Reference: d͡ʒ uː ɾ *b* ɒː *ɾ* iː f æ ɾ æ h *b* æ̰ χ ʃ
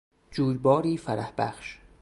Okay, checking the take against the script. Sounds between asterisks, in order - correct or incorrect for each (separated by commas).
correct, correct, correct